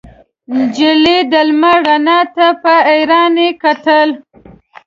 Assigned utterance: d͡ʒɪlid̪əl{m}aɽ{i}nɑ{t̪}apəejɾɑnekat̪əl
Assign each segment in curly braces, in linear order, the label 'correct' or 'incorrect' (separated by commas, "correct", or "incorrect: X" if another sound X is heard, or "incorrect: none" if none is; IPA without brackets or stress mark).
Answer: correct, incorrect: a, correct